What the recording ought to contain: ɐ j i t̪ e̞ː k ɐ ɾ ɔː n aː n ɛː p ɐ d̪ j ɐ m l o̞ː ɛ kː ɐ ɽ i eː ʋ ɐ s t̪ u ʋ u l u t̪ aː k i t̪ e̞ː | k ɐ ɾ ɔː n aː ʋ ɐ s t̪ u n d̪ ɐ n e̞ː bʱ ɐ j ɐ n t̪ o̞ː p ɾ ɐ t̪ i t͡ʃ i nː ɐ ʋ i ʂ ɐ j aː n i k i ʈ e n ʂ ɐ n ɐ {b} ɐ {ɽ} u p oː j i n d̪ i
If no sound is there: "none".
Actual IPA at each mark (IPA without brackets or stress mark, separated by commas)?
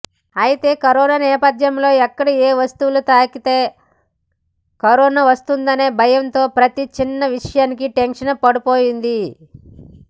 p, ɽ